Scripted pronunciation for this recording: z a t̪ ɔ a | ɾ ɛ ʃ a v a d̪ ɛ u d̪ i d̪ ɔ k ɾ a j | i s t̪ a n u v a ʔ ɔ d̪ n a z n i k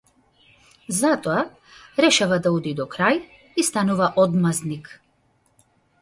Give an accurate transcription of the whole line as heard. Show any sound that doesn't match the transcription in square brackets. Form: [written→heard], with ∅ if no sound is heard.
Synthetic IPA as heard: z a t̪ ɔ a | ɾ ɛ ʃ a v a d̪ [ɛ→a] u d̪ i d̪ ɔ k ɾ a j | i s t̪ a n u v a ʔ ɔ d̪ [n→m] a z n i k